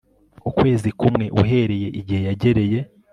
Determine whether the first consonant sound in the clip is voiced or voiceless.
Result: voiceless